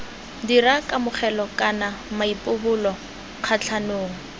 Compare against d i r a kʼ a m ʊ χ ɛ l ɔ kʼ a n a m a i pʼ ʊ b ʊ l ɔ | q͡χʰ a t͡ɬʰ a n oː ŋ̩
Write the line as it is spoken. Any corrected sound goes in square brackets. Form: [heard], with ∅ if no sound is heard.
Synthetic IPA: d i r a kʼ a m ʊ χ ɛ l ɔ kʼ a n a m a i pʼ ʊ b ʊ l ɔ | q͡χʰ a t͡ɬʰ a n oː ŋ̩